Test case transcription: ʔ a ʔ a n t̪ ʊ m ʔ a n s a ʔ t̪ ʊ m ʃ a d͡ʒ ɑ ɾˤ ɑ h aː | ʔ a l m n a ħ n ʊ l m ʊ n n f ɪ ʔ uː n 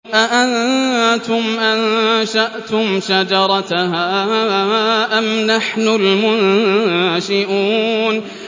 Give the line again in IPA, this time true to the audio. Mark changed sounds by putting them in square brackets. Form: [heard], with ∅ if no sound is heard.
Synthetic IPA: ʔ a ʔ a n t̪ ʊ m ʔ a n [ʃ] a ʔ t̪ ʊ m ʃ a d͡ʒ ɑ ɾˤ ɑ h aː | ʔ a [∅] m n a ħ n ʊ l m ʊ n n [ʃ] ɪ ʔ uː n